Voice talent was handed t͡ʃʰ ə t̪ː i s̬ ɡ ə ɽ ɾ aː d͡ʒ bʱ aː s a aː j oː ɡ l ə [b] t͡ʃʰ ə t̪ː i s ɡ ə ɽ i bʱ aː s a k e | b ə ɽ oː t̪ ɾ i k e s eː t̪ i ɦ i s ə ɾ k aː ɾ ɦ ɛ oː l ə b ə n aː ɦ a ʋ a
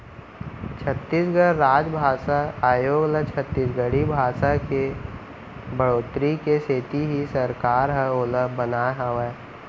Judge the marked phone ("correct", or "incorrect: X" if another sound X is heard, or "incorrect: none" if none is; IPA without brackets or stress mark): incorrect: none